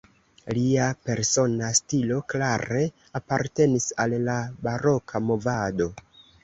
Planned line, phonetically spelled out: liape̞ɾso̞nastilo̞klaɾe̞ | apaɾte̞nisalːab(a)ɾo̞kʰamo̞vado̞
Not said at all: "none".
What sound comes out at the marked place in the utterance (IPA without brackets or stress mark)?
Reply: a